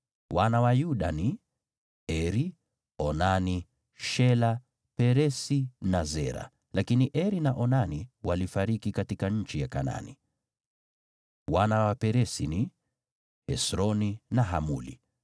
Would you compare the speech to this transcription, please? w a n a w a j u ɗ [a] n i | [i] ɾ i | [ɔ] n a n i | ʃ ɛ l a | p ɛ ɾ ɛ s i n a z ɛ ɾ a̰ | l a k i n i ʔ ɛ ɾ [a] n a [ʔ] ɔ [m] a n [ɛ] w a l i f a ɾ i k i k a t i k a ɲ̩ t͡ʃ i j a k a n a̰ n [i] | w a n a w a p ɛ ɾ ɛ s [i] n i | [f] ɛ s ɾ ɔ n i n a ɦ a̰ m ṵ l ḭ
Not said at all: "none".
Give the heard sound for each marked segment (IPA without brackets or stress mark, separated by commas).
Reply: a, ɛ, ɔ, i, ʔ, n, i, i, i, h